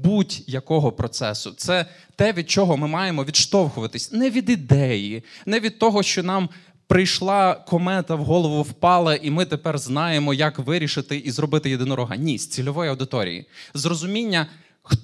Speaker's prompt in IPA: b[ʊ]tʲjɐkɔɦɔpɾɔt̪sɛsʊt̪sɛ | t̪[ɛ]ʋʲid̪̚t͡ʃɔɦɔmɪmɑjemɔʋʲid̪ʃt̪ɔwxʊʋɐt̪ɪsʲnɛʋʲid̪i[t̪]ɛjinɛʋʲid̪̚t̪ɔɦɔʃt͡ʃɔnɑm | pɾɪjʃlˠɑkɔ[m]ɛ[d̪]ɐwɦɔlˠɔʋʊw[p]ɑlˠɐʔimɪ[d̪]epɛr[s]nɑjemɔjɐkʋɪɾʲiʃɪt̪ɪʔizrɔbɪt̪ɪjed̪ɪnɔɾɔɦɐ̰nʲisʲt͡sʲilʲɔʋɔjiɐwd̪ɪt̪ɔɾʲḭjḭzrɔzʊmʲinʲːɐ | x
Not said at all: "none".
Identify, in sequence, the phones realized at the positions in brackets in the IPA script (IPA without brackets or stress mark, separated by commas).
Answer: u, ɛ, d̪, m, t̪, p, t̪, z